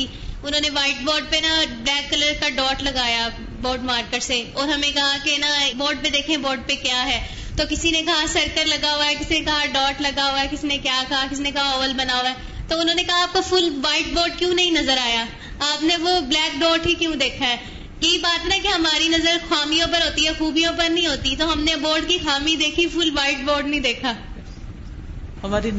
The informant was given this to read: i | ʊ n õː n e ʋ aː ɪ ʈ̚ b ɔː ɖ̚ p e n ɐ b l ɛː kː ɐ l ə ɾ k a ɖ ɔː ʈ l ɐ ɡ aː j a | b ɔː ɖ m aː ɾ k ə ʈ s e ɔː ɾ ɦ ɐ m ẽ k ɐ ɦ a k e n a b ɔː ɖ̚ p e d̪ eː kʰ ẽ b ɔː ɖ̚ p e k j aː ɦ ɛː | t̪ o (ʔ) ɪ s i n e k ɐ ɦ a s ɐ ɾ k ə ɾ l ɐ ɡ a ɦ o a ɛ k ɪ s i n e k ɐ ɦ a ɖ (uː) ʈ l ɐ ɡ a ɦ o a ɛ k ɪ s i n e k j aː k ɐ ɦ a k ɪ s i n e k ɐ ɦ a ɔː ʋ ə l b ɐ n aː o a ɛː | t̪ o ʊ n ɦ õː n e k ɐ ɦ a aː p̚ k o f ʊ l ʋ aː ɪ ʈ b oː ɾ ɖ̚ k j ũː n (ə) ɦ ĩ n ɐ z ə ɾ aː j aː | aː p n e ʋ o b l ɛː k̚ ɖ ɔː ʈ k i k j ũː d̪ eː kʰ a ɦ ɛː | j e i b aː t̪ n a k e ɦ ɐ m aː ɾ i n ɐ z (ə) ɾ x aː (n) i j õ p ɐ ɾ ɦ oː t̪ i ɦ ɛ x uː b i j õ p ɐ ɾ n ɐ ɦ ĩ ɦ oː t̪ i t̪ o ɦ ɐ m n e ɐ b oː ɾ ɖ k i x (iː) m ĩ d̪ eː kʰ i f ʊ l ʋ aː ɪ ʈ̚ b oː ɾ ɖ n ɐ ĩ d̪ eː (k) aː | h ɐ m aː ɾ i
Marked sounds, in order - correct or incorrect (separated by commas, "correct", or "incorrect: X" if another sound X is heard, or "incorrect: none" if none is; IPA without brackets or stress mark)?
incorrect: k, incorrect: ɔː, incorrect: ɐ, correct, incorrect: m, incorrect: aː, incorrect: kʰ